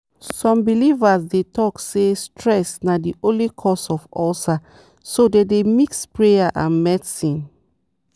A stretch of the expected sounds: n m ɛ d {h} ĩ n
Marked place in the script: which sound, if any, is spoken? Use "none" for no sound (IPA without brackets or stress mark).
s